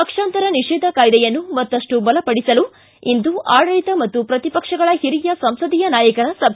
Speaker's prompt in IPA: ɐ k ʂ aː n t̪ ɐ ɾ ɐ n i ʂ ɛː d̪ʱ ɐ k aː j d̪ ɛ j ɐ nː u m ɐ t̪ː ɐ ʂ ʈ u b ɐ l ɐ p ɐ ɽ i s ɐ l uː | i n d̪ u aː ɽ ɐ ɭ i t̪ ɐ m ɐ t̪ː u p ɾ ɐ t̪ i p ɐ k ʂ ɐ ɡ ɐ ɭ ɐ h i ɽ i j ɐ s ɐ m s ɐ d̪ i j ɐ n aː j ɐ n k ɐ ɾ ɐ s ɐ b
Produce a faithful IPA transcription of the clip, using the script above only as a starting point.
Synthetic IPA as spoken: ɐ k ʂ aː n t̪ ɐ ɾ ɐ n i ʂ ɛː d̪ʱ ɐ k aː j d̪ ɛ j ɐ nː u m ɐ t̪ː ɐ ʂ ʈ u b ɐ l ɐ p ɐ ɽ i s ɐ l u | i n d̪ u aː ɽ ɐ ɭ i t̪ ɐ m ɐ t̪ː u p ɾ ɐ t̪ i p ɐ k ʂ ɐ ɡ ɐ ɭ ɐ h i ɾ i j ɐ s ɐ m s ɐ d̪ i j ɐ n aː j ɐ k ɐ ɾ ɐ s ɐ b